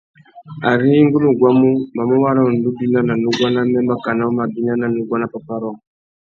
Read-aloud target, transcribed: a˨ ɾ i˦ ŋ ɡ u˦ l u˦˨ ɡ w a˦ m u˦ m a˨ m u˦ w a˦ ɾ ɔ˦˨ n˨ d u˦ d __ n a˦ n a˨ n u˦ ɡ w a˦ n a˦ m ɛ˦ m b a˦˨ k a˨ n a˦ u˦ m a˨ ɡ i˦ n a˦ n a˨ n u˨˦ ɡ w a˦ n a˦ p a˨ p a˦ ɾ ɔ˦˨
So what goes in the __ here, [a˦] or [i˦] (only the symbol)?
i˦